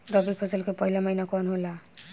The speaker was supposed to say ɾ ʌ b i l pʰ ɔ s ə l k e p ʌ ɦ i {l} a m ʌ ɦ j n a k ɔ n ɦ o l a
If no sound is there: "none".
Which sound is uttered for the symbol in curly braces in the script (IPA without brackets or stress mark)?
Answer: l